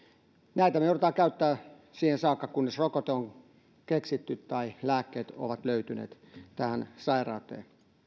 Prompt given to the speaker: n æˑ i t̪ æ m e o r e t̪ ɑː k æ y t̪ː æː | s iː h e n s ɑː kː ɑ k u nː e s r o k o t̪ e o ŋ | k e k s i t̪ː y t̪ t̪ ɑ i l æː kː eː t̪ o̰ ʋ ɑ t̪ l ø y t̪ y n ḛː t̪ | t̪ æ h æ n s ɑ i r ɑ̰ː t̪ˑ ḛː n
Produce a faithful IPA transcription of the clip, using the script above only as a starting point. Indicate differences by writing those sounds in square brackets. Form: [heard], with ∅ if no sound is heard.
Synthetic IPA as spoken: n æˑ i t̪ æ m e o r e t̪ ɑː k æ y t̪ː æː | s iː h e n s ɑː kː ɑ k u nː e s r o k o t̪ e o ŋ | k e k s i t̪ː y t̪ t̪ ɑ i l æː kː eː t̪ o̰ ʋ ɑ t̪ l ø y t̪ y n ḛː t̪ | t̪ æ h æ n s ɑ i r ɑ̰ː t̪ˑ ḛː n